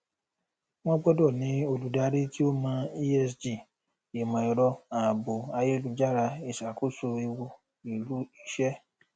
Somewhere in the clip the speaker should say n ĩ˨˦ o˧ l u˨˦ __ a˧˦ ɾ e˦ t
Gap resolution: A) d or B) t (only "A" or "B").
A